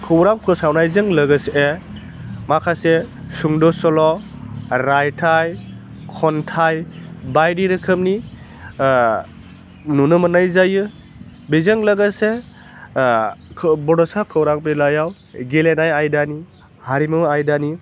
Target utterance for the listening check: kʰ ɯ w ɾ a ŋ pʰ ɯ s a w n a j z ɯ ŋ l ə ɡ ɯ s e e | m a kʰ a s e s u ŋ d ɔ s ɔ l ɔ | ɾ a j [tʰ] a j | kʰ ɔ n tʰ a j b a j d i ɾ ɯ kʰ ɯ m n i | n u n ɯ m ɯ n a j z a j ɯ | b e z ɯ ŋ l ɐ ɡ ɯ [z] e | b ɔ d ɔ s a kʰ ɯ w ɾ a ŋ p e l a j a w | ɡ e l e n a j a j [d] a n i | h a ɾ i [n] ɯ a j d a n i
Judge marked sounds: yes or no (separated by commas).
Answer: yes, no, yes, no